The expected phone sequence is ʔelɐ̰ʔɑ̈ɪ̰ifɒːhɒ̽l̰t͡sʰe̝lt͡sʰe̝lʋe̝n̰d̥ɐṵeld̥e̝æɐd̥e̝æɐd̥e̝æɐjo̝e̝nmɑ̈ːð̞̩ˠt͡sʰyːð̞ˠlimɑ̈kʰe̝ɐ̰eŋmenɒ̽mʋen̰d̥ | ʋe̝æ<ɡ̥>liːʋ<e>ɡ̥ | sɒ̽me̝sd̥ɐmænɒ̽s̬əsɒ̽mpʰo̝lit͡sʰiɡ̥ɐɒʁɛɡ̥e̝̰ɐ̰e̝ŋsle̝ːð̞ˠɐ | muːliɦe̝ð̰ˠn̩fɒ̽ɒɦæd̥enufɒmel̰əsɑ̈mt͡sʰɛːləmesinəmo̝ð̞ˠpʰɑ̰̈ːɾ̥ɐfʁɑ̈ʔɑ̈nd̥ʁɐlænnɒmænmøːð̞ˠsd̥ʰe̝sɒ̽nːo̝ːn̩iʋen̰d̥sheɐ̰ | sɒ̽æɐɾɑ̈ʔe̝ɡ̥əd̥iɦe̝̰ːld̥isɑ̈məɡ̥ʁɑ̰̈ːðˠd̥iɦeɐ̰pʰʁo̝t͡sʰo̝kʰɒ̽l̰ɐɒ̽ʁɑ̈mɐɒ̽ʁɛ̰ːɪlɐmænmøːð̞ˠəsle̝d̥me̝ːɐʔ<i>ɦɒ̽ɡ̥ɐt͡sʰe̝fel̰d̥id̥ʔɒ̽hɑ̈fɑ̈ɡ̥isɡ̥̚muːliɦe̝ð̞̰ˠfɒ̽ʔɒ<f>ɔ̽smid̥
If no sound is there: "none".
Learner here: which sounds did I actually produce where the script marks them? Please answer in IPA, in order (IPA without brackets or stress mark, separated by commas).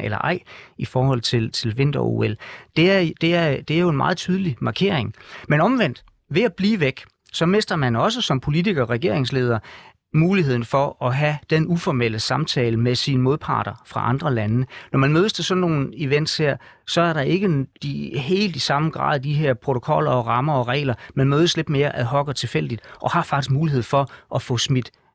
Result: b̥, e, æ, f